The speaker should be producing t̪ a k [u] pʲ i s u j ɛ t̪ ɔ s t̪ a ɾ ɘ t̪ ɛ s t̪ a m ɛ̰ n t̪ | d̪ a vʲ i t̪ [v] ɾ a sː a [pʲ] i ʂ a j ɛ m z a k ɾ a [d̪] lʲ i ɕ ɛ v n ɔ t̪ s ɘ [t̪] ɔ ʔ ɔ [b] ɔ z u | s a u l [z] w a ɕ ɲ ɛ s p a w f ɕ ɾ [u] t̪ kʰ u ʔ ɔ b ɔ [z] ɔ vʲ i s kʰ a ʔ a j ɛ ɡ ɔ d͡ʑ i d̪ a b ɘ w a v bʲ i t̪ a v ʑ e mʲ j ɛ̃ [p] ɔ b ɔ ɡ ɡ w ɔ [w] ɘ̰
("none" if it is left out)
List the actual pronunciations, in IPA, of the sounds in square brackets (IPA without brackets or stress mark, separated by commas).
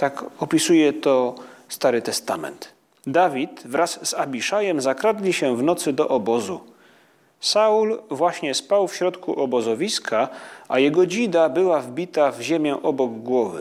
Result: ɔ, v, bʲ, d̪, d̪, b, v, ɔ, z, ʔ, v